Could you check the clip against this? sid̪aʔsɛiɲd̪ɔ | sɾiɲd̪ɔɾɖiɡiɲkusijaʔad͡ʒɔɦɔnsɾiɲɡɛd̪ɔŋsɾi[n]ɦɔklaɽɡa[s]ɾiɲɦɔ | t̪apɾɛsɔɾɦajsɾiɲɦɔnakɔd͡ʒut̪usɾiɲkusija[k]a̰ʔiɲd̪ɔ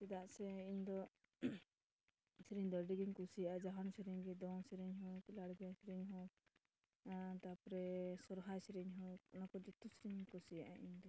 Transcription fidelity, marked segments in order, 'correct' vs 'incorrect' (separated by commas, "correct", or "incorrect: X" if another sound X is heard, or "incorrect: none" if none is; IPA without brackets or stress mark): incorrect: ɲ, correct, incorrect: ʔ